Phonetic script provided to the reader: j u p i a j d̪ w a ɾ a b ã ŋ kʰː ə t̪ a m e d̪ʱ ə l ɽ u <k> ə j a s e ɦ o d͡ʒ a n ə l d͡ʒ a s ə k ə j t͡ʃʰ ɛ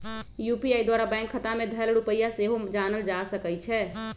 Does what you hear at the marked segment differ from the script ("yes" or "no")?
yes